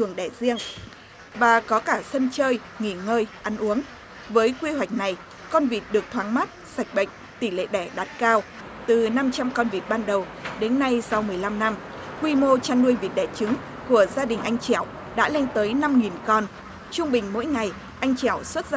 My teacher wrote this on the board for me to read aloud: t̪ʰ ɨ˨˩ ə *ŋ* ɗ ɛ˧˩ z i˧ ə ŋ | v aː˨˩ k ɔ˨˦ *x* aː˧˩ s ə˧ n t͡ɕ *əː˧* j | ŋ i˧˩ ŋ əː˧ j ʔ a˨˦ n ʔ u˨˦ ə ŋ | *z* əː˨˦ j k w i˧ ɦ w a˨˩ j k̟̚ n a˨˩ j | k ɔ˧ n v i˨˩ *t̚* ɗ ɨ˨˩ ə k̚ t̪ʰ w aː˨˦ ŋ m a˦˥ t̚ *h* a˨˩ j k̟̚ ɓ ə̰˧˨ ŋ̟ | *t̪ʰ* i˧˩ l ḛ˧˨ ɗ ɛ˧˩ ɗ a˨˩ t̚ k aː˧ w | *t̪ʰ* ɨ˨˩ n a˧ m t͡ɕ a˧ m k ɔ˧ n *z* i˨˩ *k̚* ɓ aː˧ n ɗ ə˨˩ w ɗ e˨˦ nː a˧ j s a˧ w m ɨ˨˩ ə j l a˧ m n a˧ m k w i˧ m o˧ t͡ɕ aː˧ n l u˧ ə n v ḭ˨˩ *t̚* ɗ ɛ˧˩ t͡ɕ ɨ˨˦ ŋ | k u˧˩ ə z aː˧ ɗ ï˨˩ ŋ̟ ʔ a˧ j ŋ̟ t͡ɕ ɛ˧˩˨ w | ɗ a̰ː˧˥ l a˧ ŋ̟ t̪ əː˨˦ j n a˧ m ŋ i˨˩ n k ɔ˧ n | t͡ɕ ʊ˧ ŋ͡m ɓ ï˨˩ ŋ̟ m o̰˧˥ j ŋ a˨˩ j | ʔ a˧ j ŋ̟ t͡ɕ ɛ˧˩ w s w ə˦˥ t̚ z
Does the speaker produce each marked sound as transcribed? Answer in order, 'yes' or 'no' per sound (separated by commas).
yes, no, yes, no, yes, no, no, no, no, no, yes